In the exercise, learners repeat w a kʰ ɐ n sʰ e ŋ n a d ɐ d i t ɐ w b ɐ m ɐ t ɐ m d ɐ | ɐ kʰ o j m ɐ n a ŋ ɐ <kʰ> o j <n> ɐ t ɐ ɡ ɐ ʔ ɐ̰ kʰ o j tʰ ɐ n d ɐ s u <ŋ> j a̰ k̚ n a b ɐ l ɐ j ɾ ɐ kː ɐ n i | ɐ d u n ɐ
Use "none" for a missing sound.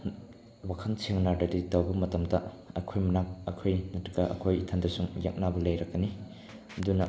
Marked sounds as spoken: kʰ, n, ŋ

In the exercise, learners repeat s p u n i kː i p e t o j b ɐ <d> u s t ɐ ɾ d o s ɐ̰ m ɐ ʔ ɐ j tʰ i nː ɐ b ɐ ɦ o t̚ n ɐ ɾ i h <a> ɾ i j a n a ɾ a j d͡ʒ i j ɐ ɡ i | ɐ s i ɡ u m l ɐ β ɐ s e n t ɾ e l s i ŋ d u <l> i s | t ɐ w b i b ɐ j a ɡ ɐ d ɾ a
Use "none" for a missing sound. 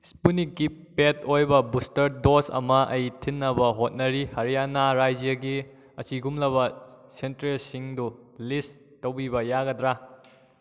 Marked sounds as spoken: b, ɐ, l

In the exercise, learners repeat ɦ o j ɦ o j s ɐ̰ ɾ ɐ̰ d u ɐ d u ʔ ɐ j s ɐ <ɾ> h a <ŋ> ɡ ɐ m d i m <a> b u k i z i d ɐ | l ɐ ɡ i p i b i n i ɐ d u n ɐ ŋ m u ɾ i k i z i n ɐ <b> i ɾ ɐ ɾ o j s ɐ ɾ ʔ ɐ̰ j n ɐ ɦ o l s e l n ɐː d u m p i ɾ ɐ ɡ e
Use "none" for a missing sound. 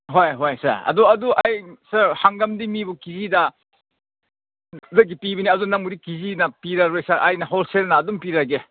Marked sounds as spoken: ɾ, ŋ, i, p

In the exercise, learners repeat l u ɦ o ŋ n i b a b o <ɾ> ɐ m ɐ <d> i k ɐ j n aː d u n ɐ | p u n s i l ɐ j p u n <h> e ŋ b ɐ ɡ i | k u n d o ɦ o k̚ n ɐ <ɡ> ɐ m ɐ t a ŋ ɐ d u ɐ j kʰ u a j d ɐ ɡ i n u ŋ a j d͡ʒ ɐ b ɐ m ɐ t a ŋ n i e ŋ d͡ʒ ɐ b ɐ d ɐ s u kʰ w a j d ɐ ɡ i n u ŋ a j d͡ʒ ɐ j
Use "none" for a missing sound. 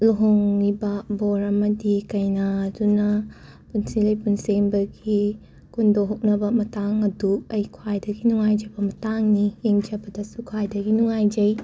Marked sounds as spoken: ɾ, d, s, b

